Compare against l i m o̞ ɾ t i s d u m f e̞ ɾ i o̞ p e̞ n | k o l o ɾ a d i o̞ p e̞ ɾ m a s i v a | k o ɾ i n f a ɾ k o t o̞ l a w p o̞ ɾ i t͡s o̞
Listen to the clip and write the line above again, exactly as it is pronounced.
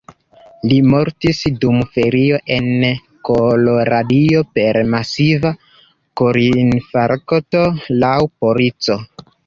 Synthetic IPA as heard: l i m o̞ ɾ t i s d u m f e̞ ɾ i o̞ ʔ e̞ n | k o l o ɾ a d i o̞ p e̞ ɾ m a s i v a | k o ɾ i n f a ɾ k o t o̞ l a w p o̞ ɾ i t͡s o̞

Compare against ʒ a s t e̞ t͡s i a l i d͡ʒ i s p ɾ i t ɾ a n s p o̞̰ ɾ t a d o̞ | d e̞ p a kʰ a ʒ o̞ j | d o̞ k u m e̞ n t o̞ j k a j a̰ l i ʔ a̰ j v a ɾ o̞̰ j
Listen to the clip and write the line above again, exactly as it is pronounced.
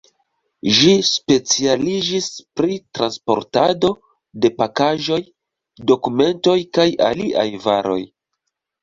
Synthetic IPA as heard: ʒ i s p e̞ t͡s i a l i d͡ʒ i s p ɾ i t ɾ a n s p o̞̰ ɾ t a d o̞ | d e̞ p a k a ʒ o̞ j | d o̞ k u m e̞ n t o̞ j k a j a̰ l i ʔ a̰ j v a ɾ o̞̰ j

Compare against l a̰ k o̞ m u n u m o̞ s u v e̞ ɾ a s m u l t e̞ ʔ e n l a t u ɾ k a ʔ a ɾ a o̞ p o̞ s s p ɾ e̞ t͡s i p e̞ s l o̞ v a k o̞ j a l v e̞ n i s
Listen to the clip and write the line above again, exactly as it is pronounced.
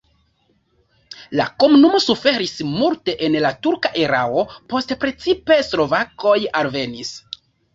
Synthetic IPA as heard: l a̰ k o̞ m u n u m o̞ s u f e̞ ɾ i s m u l t e̞ ʔ e n l a t u ɾ k a ʔ e ɾ a o̞ p o̞ s t p ɾ e̞ t͡s i p e̞ s l o̞ v a k o̞ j a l v e̞ n i s

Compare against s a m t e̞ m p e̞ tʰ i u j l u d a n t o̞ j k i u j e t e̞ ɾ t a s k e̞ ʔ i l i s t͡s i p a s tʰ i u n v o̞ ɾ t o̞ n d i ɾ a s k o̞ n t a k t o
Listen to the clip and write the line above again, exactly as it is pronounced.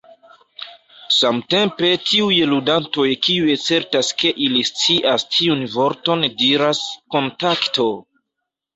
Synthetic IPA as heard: s a m t e̞ m p e̞ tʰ i u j l u d a n t o̞ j k i u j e t͡s e̞ ɾ t a s k e̞ ʔ i l i s t͡s i ʔ a s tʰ i u n v o̞ ɾ t o̞ n d i ɾ a s k o̞ n t a k t o

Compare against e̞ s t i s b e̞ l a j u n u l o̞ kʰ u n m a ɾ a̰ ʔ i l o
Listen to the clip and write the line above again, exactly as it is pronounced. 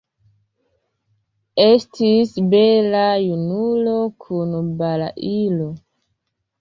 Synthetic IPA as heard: e̞ s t i s b e̞ l a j u n u l o̞ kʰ u n b a l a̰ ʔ i l o

